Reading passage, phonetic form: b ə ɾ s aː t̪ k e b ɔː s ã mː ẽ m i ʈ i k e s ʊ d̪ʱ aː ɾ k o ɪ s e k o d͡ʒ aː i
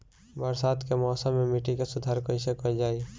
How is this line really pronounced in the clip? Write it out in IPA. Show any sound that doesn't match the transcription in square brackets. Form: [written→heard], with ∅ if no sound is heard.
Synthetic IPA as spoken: b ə ɾ s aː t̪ k e [b→m] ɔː s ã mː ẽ m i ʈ i k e s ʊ d̪ʱ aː ɾ k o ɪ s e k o d͡ʒ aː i